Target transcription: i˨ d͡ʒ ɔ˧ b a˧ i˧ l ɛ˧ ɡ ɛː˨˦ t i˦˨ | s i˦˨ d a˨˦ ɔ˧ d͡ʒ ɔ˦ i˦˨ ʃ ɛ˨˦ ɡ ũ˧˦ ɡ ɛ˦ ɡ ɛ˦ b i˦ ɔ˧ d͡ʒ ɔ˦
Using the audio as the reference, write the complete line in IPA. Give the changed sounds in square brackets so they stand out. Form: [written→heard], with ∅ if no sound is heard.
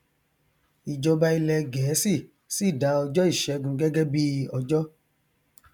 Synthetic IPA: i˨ d͡ʒ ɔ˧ b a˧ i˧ l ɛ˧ ɡ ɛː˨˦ [t→s] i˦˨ | s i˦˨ d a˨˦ ɔ˧ d͡ʒ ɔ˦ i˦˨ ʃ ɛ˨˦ ɡ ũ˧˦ ɡ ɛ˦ ɡ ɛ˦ b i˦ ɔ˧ d͡ʒ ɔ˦